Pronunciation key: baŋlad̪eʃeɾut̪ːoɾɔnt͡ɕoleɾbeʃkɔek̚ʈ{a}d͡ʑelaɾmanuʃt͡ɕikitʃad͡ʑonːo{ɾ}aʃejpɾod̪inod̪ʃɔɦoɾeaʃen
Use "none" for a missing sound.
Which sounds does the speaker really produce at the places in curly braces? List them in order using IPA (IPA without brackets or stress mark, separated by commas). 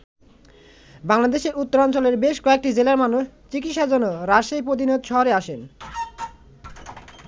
i, ɾ